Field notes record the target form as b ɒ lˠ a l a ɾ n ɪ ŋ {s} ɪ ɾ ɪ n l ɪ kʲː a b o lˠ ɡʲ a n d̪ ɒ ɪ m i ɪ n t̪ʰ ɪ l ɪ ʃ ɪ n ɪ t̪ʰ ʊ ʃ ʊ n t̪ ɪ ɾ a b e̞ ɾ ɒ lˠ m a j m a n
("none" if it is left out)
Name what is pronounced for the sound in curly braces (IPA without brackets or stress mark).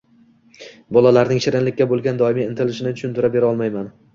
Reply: ʃ